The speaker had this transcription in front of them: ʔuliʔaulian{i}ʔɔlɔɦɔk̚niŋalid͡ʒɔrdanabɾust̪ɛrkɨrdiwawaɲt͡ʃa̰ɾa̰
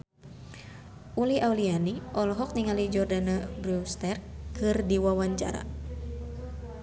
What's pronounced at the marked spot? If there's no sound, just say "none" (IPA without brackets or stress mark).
i